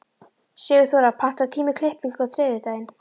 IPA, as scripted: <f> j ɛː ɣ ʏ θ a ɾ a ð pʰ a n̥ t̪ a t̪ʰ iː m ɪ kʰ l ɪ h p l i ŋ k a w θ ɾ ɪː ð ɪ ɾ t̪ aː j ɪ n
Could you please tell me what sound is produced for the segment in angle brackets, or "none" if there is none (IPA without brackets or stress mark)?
s